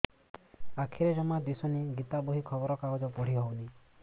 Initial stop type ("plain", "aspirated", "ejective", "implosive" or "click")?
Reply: aspirated